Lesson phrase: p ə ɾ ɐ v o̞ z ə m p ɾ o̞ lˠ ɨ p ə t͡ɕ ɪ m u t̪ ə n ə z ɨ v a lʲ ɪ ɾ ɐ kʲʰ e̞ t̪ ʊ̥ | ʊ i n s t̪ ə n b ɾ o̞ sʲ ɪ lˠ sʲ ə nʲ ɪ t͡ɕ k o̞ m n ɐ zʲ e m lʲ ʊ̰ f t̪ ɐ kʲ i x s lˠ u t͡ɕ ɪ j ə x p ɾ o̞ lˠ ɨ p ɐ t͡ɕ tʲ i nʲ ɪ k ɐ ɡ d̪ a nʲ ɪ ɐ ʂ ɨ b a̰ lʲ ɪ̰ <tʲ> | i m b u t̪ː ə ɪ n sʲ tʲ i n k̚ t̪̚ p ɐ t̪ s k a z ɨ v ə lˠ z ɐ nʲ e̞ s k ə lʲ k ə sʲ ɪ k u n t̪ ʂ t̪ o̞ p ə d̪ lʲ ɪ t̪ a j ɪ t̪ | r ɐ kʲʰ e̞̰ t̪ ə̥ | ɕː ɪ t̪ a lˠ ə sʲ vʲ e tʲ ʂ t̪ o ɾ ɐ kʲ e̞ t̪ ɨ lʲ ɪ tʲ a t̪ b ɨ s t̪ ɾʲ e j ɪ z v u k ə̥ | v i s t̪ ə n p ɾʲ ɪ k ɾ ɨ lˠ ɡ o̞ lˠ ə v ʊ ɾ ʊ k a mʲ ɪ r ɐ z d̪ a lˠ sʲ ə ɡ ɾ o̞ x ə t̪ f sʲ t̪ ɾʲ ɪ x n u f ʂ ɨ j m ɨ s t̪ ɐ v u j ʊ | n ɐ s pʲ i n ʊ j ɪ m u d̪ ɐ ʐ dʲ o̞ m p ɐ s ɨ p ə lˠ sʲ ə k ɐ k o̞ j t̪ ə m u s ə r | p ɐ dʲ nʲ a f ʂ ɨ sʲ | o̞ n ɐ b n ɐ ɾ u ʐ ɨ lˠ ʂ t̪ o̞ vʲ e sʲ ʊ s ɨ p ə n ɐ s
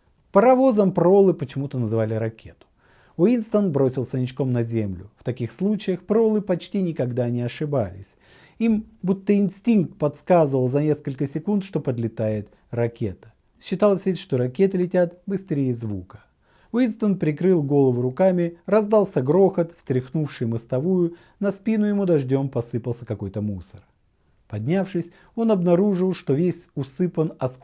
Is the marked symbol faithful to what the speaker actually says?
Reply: no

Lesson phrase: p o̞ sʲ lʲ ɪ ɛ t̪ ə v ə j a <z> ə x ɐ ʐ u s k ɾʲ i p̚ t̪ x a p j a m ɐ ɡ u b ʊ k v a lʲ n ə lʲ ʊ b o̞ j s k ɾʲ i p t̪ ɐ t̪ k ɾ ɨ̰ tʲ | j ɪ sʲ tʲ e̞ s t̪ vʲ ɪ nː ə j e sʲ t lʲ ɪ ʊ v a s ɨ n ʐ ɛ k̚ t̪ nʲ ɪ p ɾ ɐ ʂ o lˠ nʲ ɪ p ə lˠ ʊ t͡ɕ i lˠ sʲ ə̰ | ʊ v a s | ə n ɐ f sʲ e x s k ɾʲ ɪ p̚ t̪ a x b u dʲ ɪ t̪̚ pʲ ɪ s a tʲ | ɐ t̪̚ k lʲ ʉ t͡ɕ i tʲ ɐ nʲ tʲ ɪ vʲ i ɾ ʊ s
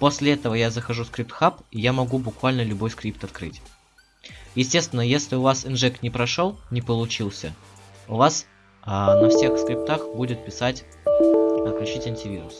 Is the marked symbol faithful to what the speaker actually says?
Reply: yes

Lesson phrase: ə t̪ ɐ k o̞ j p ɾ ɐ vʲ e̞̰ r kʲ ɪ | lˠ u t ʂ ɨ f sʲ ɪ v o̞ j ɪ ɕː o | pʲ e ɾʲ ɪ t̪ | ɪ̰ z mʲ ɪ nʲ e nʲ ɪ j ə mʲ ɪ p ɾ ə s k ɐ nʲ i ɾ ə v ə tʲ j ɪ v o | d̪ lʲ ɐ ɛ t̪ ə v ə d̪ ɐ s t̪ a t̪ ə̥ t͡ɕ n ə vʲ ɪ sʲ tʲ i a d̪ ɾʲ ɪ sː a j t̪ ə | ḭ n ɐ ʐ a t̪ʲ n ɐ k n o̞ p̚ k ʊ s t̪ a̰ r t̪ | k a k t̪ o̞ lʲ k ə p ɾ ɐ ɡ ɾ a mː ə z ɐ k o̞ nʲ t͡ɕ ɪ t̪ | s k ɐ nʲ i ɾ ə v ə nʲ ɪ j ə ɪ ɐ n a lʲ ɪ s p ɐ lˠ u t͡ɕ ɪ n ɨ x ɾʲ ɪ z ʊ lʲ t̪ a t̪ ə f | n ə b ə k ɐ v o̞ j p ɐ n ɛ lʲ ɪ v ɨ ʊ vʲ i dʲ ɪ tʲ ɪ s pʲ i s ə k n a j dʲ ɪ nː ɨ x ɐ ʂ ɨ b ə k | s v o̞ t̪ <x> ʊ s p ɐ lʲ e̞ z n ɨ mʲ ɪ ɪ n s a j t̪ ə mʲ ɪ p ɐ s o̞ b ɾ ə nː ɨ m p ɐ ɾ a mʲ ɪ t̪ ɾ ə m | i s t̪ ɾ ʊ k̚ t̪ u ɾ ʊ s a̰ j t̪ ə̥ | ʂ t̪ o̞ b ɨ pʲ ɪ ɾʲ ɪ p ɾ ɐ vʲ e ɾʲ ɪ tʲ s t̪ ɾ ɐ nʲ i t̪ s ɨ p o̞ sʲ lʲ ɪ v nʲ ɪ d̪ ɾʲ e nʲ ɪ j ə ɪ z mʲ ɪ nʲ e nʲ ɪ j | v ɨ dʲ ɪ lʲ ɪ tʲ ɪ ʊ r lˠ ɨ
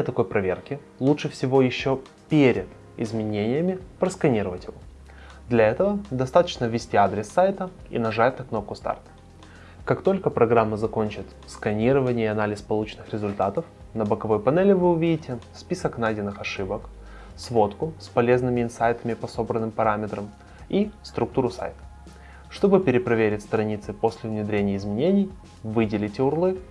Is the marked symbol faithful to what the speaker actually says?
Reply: no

